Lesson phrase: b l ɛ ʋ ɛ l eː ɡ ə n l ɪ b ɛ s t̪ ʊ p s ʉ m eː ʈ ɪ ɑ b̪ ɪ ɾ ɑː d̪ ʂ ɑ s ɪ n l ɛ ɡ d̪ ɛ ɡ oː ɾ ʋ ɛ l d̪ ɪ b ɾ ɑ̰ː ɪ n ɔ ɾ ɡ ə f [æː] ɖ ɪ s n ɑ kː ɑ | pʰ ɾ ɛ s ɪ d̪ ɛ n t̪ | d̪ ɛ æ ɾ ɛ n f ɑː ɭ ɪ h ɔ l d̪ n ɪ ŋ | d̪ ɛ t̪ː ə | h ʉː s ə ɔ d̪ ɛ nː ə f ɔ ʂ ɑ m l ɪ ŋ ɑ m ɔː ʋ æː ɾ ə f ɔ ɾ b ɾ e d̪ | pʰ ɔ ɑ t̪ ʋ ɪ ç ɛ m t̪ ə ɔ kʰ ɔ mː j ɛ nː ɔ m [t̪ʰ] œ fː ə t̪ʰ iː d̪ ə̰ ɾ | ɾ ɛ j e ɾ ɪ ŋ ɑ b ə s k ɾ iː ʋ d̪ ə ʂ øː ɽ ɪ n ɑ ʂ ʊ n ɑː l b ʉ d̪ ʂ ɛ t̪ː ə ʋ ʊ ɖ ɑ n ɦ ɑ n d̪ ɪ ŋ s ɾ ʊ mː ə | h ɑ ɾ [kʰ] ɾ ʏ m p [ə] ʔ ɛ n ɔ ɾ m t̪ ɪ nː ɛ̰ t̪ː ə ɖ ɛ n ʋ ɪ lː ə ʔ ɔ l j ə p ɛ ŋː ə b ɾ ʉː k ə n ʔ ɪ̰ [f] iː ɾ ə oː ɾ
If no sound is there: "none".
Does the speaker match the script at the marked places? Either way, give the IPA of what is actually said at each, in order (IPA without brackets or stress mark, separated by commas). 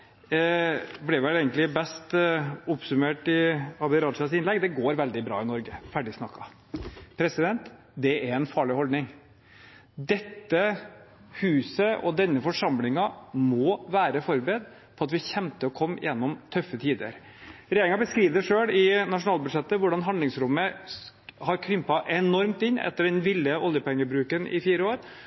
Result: æ, t̪ʰ, kʰ, ɑ, f